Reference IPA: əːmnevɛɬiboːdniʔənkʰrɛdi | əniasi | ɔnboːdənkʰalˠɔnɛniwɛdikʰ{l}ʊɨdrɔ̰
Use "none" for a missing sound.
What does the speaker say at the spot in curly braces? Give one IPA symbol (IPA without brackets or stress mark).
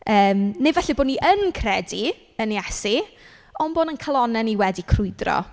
r